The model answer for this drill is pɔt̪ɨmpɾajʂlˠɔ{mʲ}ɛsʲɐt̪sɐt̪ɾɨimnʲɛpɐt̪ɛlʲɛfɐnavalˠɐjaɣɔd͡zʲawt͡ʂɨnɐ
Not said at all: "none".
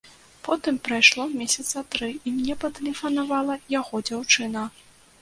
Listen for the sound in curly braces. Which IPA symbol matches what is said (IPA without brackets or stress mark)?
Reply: mʲ